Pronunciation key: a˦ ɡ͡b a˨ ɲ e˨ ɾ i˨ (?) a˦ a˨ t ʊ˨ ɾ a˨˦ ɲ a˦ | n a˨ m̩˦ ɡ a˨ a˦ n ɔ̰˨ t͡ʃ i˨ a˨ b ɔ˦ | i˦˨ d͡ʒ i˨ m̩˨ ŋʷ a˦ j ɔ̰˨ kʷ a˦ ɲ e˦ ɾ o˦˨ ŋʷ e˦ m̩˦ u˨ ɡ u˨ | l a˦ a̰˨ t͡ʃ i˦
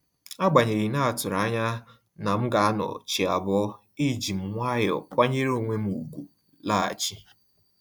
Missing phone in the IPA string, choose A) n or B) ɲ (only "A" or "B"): A